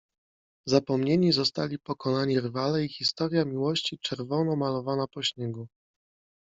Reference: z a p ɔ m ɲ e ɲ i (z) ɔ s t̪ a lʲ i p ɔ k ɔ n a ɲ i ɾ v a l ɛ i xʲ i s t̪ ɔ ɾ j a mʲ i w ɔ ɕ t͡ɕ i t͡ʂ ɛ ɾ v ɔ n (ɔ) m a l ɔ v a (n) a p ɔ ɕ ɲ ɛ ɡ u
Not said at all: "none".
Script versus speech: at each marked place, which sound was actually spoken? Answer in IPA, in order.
z, ɔ, n

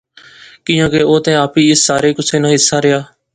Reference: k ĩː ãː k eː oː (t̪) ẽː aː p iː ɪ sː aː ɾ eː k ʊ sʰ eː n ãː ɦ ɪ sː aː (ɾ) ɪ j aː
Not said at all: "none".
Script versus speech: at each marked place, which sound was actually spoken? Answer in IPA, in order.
t̪, ɾ

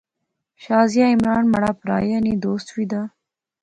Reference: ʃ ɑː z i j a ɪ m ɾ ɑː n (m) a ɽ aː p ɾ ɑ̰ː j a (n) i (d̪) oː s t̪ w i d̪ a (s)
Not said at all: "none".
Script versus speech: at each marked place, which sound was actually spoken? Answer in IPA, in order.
m, n, d̪, none

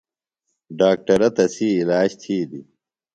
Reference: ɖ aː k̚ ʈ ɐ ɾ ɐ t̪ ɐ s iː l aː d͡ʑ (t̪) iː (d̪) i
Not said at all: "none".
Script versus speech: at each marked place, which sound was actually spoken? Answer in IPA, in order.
t̪ʰ, d̪

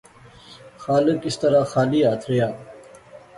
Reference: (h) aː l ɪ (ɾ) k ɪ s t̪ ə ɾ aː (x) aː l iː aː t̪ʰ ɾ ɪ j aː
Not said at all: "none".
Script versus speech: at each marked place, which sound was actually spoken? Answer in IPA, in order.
x, none, x

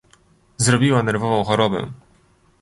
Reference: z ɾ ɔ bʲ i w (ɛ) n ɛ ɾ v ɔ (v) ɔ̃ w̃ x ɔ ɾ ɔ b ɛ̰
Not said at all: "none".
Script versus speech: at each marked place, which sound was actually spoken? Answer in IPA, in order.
a, v

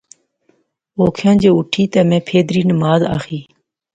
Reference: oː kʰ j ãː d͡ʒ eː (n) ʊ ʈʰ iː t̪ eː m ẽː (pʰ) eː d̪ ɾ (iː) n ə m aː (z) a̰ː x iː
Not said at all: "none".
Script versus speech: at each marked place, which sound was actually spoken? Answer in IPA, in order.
none, pʰ, iː, z

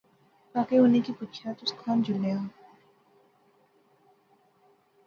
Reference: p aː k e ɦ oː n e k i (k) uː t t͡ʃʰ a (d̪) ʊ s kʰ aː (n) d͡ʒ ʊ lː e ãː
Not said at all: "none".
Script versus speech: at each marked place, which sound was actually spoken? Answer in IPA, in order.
p, t̪, n

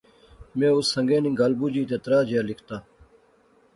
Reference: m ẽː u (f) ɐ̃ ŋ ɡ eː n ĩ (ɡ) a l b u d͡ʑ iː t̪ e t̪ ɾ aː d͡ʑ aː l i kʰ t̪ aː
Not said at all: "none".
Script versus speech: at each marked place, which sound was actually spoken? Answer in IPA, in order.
s, ɡ

